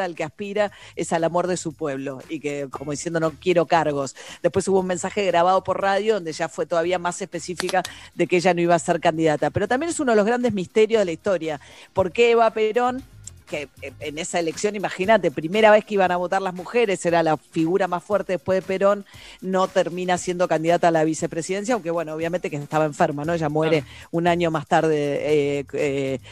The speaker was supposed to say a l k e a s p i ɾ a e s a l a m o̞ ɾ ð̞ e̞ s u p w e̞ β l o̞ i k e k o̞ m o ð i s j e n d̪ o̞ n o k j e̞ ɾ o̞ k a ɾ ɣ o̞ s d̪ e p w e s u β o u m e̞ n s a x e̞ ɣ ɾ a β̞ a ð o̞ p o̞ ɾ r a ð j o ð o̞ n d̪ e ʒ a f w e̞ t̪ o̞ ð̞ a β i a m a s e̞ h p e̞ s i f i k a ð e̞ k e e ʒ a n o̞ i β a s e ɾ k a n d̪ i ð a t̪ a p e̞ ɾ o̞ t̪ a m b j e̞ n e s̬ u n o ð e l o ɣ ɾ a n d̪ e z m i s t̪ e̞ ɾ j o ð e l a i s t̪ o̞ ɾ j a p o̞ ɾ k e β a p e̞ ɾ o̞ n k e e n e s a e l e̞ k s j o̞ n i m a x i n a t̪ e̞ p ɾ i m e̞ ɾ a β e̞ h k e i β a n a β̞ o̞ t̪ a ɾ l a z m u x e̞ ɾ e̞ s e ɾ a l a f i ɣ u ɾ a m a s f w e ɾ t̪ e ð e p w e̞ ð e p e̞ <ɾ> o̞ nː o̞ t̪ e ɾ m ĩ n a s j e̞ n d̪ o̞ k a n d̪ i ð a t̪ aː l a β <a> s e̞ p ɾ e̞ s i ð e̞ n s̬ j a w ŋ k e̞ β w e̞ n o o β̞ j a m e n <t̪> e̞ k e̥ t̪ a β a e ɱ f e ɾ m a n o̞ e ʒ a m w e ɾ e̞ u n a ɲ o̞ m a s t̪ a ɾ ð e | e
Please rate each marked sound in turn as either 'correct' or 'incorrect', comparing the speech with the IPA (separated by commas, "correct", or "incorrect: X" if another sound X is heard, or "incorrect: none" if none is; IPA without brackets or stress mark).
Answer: correct, incorrect: i, correct